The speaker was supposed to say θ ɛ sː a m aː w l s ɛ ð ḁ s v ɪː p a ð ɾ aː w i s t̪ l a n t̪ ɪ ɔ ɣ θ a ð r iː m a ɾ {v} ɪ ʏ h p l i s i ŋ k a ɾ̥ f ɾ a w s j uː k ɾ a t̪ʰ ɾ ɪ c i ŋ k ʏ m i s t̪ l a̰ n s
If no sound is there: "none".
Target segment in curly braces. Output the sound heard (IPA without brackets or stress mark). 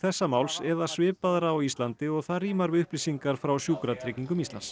v